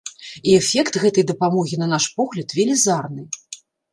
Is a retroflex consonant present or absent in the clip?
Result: present